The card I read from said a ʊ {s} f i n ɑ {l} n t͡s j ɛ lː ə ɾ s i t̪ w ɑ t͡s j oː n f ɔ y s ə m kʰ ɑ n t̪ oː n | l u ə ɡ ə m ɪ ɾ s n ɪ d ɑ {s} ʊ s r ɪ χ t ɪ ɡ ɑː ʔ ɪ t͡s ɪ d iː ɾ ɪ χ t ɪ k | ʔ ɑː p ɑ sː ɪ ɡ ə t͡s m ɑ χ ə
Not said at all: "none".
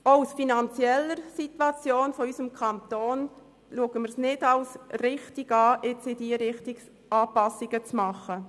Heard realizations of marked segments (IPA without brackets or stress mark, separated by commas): s, none, none